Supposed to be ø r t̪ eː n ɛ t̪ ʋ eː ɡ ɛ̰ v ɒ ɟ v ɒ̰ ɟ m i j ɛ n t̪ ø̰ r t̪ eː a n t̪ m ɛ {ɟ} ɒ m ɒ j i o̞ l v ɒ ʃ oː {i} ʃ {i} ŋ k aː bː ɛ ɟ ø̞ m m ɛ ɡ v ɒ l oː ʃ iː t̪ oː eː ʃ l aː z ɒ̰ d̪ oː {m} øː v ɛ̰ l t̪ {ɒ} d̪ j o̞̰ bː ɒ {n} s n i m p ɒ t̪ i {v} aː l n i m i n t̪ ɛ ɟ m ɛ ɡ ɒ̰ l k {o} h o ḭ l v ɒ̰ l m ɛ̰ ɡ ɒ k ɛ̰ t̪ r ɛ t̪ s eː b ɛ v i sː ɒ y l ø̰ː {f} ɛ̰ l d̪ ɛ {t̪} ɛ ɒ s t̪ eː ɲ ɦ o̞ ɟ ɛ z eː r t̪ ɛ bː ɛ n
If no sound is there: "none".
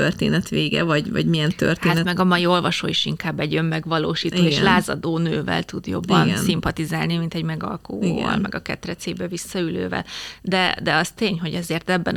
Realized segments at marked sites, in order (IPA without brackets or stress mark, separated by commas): ɡ, i, i, n, u, n, z, o, v, d̪